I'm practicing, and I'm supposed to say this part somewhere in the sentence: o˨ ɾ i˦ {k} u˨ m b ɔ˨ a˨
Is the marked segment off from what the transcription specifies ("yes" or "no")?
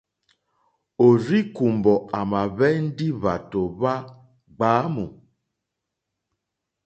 no